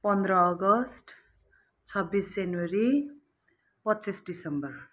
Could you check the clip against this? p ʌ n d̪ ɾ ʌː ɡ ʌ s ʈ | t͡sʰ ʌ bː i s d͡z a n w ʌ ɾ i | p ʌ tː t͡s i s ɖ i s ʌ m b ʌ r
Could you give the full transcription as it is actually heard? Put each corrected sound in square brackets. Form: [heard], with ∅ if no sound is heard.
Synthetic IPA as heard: p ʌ n d̪ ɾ ʌː ɡ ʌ s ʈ | t͡sʰ ʌ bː i s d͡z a n w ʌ ɾ i | p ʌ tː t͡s i s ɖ i s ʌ m b ʌ r

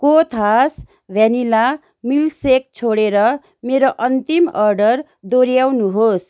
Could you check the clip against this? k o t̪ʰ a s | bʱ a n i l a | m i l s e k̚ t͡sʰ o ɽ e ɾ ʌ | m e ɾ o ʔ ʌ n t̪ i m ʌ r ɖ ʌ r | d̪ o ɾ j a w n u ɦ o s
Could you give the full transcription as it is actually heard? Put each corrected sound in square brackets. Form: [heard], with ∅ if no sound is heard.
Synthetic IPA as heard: k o t̪ʰ a s | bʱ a n i l a | m i l s e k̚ t͡sʰ o ɽ e ɾ ʌ | m e ɾ o ʔ ʌ n t̪ i m ʌ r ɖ ʌ r | d̪ o ɾ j a w n u ɦ o s

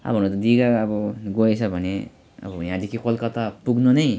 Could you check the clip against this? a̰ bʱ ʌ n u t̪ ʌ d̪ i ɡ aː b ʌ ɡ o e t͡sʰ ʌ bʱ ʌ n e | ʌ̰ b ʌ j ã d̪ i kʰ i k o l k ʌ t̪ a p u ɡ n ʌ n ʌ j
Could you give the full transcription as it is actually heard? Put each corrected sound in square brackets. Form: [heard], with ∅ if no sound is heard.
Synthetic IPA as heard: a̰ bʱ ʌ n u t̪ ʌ d̪ i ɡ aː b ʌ ɡ o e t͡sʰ ʌ bʱ ʌ n e | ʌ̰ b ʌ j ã d̪ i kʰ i k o l k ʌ t̪ a p u ɡ n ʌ n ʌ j

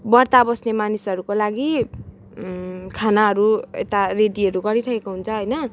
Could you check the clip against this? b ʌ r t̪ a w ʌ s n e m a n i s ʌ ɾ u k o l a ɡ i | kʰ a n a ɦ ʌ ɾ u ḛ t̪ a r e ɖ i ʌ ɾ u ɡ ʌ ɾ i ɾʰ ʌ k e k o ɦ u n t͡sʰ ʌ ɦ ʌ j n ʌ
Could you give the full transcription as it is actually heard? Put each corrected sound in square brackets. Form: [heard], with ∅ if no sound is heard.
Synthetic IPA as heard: b ʌ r t̪ a [b] ʌ s n e m a n i s ʌ ɾ u k o l a ɡ i | kʰ a n a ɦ ʌ ɾ u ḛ t̪ a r e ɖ i ʌ ɾ u ɡ ʌ ɾ i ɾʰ ʌ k e k o ɦ u n t͡sʰ ʌ ɦ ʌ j n ʌ

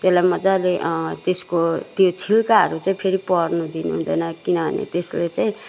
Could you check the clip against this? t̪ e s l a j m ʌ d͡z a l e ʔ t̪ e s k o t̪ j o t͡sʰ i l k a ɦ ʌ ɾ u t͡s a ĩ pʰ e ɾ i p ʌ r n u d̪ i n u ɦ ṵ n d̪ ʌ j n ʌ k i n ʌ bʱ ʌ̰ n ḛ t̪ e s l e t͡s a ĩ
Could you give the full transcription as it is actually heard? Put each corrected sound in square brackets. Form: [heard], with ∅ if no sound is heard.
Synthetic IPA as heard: t̪ e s l a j m ʌ d͡z a l e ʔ t̪ e s k o t̪ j o t͡sʰ i l k a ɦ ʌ ɾ u t͡s a ĩ pʰ e ɾ i p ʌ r n u d̪ i n u ɦ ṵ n d̪ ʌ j n ʌ k i n ʌ bʱ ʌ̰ n ḛ t̪ e s l e t͡s a ĩ

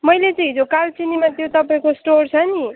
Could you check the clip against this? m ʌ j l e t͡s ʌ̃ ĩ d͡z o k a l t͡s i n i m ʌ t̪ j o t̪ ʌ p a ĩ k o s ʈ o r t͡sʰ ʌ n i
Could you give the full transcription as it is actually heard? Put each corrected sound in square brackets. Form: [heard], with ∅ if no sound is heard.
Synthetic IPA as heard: m ʌ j l e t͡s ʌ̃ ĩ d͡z o k a l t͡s i n i m [a] t̪ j o t̪ ʌ p a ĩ k o s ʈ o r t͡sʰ ʌ n i

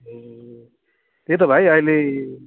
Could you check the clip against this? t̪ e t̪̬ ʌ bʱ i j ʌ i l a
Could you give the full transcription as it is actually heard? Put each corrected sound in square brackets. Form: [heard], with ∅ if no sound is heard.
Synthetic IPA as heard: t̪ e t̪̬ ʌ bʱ [a] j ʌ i l [e]

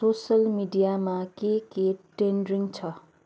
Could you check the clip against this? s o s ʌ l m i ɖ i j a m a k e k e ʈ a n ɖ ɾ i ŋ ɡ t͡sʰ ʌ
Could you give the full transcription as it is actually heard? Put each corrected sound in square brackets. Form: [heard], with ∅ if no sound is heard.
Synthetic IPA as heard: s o s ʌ l m i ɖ i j a m a k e k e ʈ [e] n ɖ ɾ i ŋ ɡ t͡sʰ ʌ

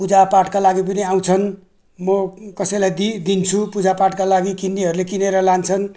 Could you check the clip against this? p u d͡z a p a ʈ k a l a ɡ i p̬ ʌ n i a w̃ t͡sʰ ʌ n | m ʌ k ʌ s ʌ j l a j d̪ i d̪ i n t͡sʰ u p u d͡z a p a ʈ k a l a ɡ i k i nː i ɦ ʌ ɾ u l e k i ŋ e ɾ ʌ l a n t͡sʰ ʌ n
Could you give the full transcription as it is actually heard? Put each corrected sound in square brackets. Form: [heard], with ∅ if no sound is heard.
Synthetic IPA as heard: p u d͡z a p a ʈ k a l a ɡ i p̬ ʌ n i a w̃ t͡sʰ ʌ n | m ʌ k ʌ s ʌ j l a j d̪ i d̪ i n t͡sʰ u p u d͡z a p a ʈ k a l a ɡ i k i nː i ɦ ʌ ɾ u l e k i [n] e ɾ ʌ l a n t͡sʰ ʌ n

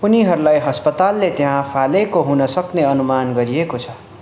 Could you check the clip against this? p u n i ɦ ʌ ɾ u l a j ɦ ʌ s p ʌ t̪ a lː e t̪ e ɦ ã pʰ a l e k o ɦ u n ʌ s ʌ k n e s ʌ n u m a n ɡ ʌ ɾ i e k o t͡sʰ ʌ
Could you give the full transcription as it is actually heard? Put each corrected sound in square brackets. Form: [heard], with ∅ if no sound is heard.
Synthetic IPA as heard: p u n i ɦ ʌ ɾ u l a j ɦ ʌ s p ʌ t̪ a lː e t̪ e ɦ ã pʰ a l e k o ɦ u n ʌ s ʌ k n e [∅] ʌ n u m a n ɡ ʌ ɾ i e k o t͡sʰ ʌ

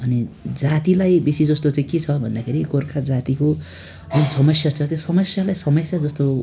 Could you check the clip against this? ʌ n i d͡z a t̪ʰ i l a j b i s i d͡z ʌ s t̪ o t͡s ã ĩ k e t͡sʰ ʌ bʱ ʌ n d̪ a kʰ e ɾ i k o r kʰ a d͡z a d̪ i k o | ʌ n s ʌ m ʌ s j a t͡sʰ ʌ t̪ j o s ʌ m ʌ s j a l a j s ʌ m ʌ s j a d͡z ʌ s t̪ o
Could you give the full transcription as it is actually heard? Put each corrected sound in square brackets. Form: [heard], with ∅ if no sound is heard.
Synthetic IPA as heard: ʌ n i d͡z a [t̪] i l a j b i s i d͡z ʌ s t̪ o t͡s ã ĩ k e t͡sʰ ʌ bʱ ʌ n d̪ a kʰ e ɾ i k o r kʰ a d͡z a [t̪] i k o | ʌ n s ʌ m ʌ s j a t͡sʰ ʌ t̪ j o s ʌ m ʌ s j a l a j s ʌ m ʌ s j a d͡z ʌ s t̪ o

